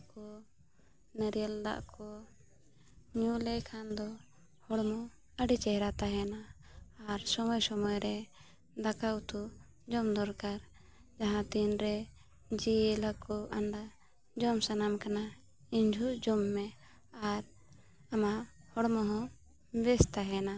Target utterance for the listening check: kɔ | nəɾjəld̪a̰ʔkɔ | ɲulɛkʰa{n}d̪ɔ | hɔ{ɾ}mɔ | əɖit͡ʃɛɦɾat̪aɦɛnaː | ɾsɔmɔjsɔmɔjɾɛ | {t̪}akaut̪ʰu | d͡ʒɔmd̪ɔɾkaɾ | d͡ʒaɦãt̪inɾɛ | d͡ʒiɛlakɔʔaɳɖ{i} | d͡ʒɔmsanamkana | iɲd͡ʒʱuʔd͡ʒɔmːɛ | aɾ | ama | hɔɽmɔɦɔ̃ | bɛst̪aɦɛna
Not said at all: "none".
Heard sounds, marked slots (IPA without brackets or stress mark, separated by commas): n, ɽ, d̪, a